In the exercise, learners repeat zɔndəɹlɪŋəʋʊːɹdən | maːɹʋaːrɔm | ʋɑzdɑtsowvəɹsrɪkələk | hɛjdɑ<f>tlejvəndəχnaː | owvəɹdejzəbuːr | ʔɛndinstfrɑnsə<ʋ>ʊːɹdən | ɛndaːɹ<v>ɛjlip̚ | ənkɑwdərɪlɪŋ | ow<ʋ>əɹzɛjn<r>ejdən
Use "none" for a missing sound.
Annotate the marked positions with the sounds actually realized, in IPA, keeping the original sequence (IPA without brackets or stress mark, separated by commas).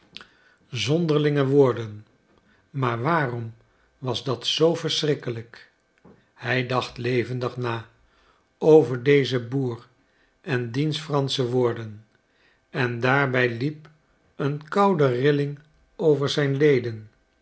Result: χ, ʋ, b, v, l